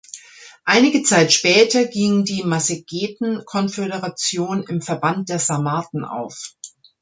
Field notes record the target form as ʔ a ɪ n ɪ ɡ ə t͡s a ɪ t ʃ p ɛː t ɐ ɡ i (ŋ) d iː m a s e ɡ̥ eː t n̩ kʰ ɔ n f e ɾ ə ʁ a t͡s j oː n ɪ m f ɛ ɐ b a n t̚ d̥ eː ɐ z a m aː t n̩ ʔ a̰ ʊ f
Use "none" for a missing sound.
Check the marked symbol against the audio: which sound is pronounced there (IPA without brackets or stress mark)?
ŋ